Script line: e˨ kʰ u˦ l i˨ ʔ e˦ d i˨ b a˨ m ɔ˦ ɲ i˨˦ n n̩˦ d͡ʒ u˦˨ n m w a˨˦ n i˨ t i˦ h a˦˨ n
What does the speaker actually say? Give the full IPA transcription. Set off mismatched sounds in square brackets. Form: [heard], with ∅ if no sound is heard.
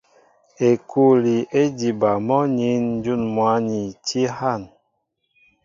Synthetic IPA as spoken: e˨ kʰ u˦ l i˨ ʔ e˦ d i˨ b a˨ m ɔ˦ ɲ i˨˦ n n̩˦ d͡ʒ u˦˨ n m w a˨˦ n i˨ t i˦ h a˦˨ n